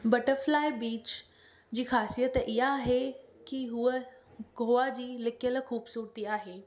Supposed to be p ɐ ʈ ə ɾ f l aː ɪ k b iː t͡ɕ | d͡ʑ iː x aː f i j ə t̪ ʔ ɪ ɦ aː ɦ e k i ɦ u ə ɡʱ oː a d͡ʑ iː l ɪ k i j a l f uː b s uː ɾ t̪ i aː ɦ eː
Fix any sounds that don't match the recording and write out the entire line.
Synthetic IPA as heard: b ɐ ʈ ə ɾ f l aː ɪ b iː t͡ɕ | d͡ʑ iː x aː s i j ə t̪ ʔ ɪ ɦ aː ɦ e k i ɦ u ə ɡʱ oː a d͡ʑ iː l ɪ k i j ə l x uː b s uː ɾ t̪ i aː ɦ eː